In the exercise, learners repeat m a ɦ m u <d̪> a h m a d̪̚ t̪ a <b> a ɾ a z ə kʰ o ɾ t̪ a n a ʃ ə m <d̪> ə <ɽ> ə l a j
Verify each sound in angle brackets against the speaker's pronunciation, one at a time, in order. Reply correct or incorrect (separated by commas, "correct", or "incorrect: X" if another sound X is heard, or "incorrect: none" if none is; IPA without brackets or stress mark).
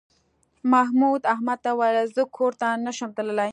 correct, incorrect: w, incorrect: t̪, incorrect: l